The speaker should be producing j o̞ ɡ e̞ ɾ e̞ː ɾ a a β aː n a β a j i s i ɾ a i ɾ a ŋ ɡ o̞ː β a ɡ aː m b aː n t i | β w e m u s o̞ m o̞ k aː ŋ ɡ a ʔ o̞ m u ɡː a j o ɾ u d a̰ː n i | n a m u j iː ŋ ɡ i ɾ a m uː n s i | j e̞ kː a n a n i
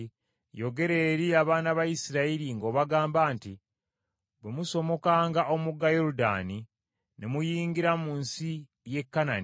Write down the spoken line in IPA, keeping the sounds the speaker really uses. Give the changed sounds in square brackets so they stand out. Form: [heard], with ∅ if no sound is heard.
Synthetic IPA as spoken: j o̞ ɡ e̞ ɾ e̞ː ɾ [i] a β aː n a β a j i s i ɾ a i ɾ [i] ŋ ɡ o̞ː β a ɡ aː m b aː n t i | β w e m u s o̞ m o̞ k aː ŋ ɡ a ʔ o̞ m u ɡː a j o ɾ u d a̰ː n i | n [e] m u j iː ŋ ɡ i ɾ a m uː n s i | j e̞ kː a n a n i